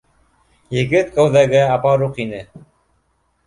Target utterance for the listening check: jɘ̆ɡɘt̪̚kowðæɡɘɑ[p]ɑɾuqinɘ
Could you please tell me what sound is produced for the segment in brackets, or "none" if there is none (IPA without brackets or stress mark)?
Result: p